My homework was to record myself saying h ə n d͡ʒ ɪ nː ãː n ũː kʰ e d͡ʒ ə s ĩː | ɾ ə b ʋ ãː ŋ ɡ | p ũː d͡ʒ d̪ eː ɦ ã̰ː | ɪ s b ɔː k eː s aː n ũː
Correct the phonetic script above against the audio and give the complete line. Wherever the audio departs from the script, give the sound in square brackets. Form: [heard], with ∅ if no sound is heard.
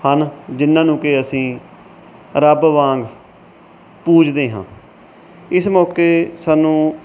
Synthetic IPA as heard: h ə n d͡ʒ ɪ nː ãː n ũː [k] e [∅] ə s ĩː | ɾ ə b ʋ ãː ŋ ɡ | p [uː] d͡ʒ d̪ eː ɦ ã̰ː | ɪ s [m] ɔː k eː s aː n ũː